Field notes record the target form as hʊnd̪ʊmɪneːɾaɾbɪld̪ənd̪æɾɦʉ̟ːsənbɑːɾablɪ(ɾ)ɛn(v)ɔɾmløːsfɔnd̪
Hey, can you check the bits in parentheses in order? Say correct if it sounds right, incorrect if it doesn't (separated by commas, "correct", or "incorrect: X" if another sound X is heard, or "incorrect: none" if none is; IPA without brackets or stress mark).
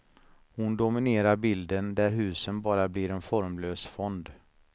correct, incorrect: f